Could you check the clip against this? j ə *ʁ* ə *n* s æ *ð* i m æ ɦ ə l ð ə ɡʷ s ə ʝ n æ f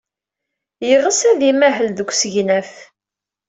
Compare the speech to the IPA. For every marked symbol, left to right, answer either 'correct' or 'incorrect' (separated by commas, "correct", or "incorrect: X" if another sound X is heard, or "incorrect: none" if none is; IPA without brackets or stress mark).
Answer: correct, incorrect: none, correct